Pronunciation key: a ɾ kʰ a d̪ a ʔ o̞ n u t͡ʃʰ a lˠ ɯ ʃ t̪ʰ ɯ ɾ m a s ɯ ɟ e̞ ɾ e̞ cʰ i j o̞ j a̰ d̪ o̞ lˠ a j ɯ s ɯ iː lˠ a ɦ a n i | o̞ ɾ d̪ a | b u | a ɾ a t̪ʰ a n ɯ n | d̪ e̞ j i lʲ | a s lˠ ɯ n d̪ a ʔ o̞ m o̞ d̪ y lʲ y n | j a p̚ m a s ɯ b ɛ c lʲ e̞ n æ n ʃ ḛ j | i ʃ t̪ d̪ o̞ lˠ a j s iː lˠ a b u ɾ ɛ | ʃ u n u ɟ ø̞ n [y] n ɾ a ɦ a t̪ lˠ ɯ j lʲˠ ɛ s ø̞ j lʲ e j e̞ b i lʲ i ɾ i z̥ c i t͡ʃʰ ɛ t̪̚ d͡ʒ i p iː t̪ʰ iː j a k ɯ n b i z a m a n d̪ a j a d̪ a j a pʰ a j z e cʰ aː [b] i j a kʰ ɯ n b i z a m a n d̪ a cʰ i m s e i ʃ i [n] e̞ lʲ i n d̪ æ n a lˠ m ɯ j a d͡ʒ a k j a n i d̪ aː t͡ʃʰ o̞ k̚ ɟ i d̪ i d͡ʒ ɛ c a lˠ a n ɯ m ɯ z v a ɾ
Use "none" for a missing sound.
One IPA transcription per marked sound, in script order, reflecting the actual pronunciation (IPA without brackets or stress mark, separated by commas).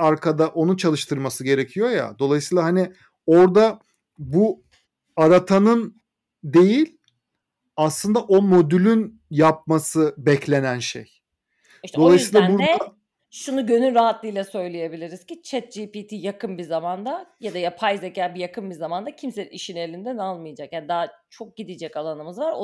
y, b, n